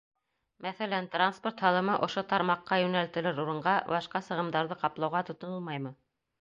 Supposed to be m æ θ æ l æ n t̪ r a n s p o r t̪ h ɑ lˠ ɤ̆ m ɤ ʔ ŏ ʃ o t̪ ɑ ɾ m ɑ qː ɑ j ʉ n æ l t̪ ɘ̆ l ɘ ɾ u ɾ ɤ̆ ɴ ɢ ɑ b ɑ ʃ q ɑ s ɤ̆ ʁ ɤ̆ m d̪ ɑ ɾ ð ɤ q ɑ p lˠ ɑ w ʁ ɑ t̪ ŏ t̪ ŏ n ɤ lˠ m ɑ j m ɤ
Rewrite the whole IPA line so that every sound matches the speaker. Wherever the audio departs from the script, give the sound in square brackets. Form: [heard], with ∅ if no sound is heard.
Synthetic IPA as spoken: m æ θ æ l æ n t̪ r a n s p o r t̪ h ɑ lˠ ɤ̆ m ɤ ʔ ŏ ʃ o t̪ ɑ ɾ m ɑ qː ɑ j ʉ n æ l t̪ ɘ̆ l ɘ ɾ u ɾ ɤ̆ ɴ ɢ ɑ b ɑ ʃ q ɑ s ɤ̆ ʁ ɤ̆ m d̪ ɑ ɾ ð ɤ q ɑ p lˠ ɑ w ʁ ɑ t̪ ŏ t̪ ŏ n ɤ lˠ m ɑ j m ɤ